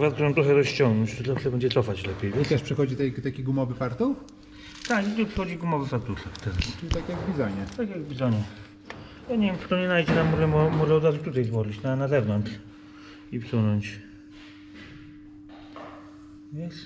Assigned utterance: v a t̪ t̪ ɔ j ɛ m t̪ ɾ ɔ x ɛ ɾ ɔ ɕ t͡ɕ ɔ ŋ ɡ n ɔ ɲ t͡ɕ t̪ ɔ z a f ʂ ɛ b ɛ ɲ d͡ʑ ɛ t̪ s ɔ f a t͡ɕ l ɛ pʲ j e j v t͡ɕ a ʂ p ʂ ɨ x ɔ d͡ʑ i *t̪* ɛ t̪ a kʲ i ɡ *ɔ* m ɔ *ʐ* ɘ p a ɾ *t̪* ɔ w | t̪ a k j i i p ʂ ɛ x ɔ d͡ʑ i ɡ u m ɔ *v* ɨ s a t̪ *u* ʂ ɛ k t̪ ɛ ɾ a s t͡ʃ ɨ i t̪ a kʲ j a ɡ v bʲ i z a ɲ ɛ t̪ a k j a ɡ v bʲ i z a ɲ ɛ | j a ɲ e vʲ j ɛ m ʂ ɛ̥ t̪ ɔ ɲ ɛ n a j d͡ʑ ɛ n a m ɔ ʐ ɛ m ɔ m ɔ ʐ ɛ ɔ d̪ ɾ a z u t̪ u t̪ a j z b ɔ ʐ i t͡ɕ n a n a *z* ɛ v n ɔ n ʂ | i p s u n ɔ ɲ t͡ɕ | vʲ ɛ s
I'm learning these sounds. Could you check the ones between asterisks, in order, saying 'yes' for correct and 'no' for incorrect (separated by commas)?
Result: yes, no, no, yes, yes, yes, yes